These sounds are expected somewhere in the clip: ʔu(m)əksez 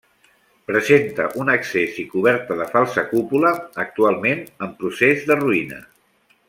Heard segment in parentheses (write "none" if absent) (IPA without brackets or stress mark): n